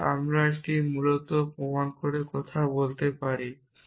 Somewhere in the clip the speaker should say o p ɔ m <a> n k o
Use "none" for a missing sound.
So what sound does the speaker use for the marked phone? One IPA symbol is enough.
a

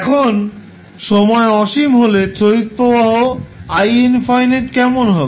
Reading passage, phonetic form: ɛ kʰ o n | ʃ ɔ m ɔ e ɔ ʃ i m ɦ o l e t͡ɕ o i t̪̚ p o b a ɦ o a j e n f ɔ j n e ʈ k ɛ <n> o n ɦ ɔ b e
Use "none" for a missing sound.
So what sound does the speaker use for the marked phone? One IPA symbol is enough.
m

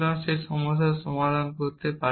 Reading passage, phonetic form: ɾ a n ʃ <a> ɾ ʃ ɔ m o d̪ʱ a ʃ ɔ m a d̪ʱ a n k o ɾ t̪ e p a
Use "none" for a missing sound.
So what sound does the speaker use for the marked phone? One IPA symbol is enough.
e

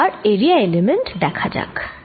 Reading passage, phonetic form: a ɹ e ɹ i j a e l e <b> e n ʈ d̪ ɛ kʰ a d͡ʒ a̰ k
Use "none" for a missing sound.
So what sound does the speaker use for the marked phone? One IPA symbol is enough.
m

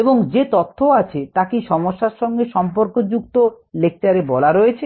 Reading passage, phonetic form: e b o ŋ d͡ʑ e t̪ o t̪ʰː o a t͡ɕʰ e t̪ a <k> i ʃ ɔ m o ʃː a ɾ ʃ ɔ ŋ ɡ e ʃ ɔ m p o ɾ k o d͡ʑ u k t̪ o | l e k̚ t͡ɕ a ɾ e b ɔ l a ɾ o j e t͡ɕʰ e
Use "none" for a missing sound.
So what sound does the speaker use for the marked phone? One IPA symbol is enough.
k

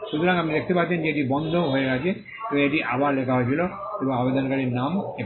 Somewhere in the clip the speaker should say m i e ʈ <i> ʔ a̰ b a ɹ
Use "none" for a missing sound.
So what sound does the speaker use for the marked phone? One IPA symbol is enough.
i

